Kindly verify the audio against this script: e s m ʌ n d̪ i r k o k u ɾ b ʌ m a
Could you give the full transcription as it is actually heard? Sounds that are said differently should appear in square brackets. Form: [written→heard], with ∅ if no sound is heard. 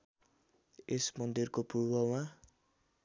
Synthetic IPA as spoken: e s m ʌ n d̪ i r k o [k→p] u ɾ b ʌ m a